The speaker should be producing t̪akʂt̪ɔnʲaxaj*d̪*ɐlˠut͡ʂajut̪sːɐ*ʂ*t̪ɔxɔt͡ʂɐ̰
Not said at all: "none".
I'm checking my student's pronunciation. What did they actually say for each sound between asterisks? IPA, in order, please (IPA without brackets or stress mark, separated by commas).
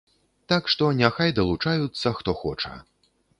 d̪, x